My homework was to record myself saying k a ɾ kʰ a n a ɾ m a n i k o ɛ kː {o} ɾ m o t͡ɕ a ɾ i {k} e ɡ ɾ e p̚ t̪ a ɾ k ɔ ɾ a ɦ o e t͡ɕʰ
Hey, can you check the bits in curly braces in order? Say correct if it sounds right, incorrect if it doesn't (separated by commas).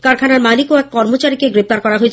incorrect, correct